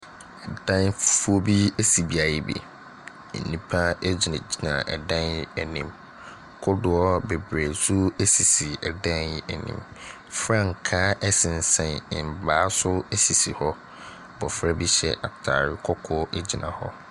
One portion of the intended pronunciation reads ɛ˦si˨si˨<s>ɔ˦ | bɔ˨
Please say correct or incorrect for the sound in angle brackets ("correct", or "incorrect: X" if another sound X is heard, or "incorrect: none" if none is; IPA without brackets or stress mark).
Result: incorrect: h